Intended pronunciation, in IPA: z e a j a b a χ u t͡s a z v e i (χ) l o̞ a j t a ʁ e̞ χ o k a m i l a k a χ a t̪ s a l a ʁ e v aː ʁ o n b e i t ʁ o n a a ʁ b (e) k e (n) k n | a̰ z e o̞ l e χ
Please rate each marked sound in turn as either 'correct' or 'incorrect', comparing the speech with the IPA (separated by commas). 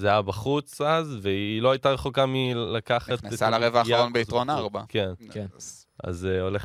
incorrect, incorrect, correct